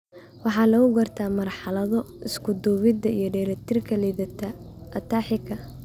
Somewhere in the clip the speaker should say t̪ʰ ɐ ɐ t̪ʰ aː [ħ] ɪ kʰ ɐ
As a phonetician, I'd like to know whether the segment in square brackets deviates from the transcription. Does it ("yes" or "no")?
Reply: no